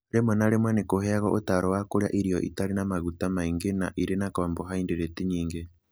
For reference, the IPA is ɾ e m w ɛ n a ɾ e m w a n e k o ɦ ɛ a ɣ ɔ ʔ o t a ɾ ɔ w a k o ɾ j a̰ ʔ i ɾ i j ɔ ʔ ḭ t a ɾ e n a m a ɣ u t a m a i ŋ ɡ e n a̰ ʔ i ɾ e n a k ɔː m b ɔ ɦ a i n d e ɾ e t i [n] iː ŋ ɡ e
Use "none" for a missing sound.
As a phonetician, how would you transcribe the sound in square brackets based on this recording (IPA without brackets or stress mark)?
ɲ